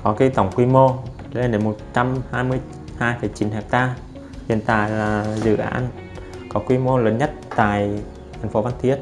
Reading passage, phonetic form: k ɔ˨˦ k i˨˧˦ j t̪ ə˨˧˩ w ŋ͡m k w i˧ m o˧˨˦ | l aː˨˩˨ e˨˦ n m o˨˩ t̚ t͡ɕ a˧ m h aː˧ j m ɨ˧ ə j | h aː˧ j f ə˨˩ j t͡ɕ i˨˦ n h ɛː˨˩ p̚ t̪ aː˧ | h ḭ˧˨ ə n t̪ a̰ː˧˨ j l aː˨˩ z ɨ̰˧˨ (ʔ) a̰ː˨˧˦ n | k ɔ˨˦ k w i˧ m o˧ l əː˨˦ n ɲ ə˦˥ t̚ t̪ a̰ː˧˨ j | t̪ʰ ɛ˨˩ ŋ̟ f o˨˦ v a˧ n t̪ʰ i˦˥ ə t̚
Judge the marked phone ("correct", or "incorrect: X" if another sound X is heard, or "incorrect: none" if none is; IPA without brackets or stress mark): correct